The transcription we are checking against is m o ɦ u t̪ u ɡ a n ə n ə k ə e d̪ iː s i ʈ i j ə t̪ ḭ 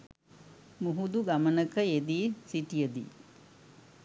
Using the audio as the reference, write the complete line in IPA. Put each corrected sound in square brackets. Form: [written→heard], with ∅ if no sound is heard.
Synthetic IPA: m [o→u] ɦ u [t̪→d̪] u ɡ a [n→m] ə n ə k ə e d̪ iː s i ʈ i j ə [t̪→d̪] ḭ